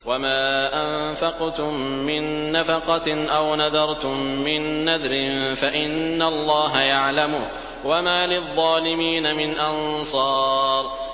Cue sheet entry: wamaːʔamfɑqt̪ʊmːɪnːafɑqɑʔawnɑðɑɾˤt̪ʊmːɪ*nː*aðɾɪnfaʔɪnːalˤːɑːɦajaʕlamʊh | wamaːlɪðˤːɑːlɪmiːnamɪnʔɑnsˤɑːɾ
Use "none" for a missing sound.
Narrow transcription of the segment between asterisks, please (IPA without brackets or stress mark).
nː